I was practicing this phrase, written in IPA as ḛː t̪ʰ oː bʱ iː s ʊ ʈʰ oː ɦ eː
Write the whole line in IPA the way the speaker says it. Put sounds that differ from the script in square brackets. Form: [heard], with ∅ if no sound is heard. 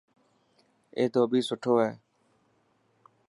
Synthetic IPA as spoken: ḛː [t̪] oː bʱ iː s ʊ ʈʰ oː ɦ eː